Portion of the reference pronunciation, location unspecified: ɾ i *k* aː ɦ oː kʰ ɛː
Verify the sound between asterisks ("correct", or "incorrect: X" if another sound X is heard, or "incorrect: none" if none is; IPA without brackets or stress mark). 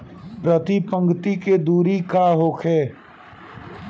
correct